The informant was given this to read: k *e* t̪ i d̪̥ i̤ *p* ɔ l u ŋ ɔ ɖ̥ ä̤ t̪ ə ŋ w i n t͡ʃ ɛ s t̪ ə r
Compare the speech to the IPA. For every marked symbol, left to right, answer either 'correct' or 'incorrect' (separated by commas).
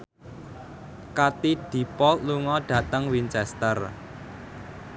incorrect, correct